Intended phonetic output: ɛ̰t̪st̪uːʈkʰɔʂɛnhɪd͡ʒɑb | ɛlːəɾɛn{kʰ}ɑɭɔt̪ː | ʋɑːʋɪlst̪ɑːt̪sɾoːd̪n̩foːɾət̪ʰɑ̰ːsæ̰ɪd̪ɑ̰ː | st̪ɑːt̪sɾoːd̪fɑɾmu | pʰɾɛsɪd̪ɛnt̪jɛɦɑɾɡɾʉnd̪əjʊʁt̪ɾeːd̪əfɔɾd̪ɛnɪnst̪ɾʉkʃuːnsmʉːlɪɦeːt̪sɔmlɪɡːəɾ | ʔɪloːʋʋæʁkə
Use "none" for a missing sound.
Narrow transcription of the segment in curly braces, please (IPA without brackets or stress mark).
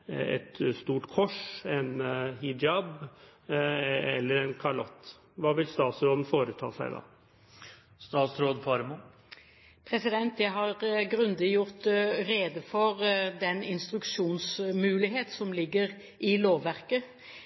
kʰ